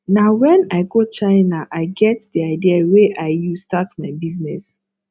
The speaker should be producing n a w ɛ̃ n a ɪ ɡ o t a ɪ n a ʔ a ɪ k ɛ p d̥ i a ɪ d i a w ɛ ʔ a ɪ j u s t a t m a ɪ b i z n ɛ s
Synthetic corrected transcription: n a w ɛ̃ n a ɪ ɡ o t͡ʃ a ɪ n a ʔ a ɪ ɡ ɛ t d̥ i a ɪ d i a w e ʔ a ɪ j u s t a t m a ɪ b i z n ɛ s